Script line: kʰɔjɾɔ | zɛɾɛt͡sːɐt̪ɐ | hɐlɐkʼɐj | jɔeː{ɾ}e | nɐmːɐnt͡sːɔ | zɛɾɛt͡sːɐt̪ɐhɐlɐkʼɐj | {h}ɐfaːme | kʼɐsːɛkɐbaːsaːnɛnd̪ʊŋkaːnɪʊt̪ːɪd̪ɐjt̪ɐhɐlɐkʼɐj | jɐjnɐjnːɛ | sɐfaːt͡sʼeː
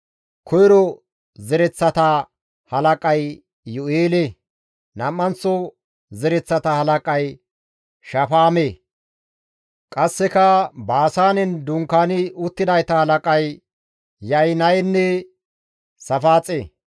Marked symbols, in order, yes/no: no, no

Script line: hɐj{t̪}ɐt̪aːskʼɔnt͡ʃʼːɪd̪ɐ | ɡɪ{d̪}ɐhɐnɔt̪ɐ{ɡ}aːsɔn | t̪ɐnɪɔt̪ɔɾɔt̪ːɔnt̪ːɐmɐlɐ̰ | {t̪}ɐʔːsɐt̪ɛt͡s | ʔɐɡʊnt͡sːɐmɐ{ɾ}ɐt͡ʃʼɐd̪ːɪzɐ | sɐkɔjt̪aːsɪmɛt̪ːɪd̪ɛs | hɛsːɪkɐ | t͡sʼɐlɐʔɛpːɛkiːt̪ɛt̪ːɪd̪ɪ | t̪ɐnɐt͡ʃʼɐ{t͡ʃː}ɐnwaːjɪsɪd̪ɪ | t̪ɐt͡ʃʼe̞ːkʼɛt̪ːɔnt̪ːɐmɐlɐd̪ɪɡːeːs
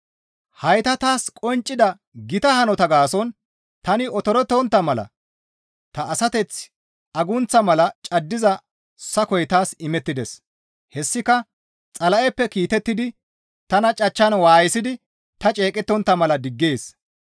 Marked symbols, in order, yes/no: yes, no, yes, yes, no, yes

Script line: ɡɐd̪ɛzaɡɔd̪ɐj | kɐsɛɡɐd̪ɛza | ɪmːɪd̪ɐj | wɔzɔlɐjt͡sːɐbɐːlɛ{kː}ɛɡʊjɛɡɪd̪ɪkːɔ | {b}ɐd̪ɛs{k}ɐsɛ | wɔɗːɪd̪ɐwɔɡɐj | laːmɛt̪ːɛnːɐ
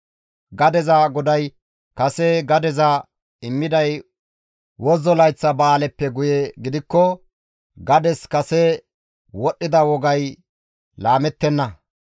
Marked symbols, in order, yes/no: no, no, yes

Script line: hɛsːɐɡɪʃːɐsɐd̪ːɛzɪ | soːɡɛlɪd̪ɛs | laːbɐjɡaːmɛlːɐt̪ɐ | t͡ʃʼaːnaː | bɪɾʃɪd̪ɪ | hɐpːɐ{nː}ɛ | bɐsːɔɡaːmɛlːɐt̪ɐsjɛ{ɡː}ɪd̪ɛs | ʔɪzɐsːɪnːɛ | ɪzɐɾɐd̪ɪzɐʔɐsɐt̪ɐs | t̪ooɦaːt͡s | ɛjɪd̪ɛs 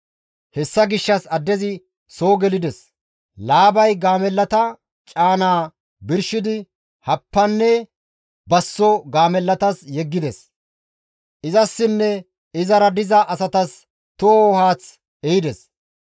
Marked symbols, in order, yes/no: yes, yes

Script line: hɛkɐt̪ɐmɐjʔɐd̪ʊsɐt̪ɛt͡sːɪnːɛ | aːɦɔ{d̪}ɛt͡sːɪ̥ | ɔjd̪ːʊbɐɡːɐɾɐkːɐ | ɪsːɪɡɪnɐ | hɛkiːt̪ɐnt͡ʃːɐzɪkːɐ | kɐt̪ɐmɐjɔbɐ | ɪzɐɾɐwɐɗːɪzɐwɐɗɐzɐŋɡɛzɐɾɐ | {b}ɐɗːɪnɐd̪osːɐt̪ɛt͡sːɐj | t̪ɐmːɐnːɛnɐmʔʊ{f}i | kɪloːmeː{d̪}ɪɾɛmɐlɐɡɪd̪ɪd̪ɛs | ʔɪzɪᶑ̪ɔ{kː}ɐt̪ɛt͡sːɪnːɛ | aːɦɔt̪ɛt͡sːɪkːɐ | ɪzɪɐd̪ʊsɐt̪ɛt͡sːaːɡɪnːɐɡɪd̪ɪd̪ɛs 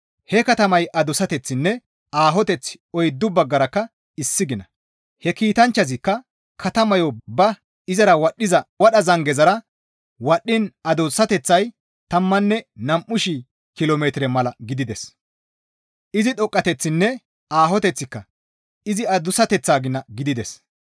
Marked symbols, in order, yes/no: no, no, no, no, no

